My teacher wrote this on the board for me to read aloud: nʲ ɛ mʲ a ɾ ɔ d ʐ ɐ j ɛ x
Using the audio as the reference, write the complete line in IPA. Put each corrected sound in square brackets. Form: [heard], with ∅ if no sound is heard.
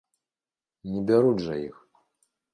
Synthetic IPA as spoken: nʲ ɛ [bʲ] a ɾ [u] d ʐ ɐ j [i] x